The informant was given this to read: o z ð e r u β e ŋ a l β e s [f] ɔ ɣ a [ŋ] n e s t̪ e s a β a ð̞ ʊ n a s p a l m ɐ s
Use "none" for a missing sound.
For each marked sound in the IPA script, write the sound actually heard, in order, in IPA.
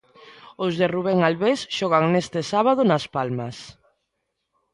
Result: ʃ, ŋ

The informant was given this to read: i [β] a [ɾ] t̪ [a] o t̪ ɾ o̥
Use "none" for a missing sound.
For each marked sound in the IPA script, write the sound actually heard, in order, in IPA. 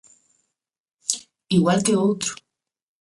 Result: w, l, e

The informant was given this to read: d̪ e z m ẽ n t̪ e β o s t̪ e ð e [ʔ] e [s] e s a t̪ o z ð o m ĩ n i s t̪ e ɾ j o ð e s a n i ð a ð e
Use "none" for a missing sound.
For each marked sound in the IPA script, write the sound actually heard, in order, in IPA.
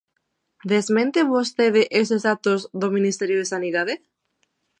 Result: ʔ, s

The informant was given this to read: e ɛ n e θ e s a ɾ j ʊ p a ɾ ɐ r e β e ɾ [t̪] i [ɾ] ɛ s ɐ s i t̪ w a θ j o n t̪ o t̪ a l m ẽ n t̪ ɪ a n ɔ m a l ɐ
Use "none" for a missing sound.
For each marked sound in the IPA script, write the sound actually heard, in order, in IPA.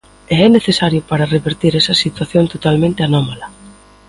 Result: t̪, ɾ

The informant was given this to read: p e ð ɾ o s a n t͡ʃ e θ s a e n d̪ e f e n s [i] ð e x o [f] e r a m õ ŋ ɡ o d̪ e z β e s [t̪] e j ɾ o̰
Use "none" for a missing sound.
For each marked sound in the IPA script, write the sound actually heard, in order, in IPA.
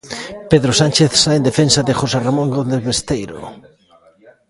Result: a, s, t̪

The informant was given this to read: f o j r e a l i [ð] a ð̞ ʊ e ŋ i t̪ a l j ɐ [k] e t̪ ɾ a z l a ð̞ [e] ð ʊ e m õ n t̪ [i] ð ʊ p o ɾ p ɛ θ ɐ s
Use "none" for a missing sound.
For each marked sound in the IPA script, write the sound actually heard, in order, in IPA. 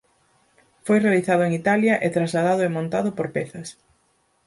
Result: θ, ʔ, a, a

